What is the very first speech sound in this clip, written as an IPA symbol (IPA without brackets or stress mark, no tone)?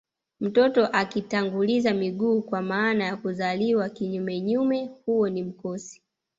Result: m̩